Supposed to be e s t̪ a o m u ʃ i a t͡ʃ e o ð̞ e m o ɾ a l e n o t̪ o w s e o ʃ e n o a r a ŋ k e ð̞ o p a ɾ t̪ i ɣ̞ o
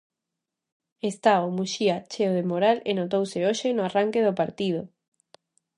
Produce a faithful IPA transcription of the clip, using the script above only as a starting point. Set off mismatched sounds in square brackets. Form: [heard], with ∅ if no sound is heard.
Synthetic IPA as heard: e s t̪ a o m u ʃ i a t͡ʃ e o ð̞ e m o ɾ a l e n o t̪ o w s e o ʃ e n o a r a ŋ k e ð̞ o p a ɾ t̪ i [ð̞] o